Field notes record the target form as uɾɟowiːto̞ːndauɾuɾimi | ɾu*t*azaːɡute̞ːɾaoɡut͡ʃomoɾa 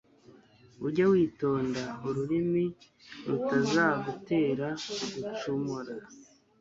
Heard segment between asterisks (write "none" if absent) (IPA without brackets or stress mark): t